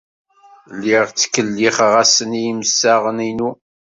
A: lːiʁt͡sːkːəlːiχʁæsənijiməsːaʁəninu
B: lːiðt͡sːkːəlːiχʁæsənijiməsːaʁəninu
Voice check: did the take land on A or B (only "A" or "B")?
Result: A